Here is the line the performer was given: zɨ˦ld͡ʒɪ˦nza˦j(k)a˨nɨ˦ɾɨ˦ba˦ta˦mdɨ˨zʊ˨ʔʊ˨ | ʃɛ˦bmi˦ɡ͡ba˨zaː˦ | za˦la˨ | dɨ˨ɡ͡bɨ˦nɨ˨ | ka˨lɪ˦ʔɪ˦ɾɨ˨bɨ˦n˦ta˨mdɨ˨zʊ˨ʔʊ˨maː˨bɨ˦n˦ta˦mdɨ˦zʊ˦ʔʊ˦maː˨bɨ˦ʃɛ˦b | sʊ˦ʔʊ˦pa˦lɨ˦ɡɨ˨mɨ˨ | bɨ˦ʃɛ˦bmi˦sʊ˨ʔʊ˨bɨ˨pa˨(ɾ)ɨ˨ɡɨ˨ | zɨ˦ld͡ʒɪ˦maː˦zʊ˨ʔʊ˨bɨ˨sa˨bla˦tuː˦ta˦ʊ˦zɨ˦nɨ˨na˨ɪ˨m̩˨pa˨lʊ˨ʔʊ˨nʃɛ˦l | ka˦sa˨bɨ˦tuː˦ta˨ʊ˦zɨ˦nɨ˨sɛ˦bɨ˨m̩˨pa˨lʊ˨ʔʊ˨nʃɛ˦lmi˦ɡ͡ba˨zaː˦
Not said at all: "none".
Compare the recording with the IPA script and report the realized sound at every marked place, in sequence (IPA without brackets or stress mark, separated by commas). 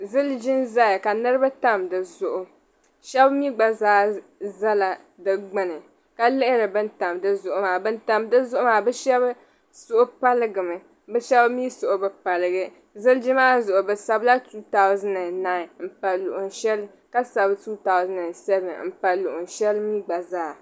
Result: k, l